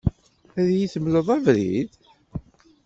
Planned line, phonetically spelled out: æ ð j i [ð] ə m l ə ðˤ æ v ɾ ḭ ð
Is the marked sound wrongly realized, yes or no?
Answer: yes